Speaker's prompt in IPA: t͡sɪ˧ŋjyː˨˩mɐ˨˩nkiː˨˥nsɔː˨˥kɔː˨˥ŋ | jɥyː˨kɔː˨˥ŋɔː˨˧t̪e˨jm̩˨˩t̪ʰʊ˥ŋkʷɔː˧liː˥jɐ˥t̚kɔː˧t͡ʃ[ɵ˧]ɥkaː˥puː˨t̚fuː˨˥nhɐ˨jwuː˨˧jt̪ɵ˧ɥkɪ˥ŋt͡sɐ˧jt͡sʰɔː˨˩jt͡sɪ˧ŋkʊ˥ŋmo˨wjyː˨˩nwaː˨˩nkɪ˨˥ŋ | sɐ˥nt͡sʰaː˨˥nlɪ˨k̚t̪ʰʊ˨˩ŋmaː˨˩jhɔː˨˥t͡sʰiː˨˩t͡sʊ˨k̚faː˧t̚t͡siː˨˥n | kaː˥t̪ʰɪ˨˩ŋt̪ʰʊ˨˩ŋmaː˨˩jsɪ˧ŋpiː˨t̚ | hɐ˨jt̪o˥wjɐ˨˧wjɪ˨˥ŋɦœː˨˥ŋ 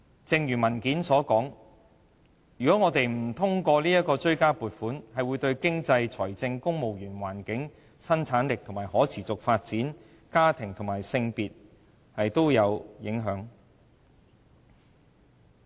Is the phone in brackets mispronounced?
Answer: yes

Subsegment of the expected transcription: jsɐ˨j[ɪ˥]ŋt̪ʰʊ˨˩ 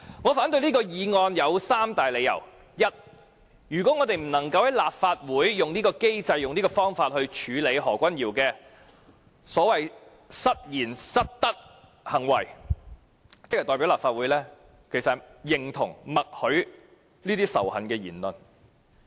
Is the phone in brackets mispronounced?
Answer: yes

